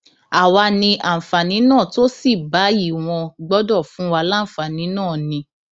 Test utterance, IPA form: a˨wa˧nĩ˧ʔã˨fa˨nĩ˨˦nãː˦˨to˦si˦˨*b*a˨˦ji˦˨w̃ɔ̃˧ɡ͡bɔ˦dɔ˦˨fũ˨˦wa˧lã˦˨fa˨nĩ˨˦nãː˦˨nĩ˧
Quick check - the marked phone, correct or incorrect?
correct